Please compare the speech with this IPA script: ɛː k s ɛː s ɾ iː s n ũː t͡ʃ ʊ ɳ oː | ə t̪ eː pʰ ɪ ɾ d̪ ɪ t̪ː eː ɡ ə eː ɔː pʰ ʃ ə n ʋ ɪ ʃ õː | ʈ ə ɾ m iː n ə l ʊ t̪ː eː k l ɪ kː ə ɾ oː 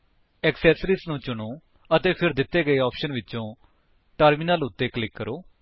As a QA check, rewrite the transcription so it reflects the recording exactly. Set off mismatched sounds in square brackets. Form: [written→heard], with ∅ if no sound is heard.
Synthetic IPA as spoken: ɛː k s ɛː s ɾ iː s n ũː t͡ʃ ʊ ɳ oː | ə t̪ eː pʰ ɪ ɾ d̪ ɪ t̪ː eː ɡ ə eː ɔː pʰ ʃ ə n ʋ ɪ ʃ õː | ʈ ə ɾ m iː n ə l ʊ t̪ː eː k l ɪ kː ə ɾ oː